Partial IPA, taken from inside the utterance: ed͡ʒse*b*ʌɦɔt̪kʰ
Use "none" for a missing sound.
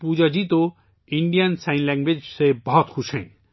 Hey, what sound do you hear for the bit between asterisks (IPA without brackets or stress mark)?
b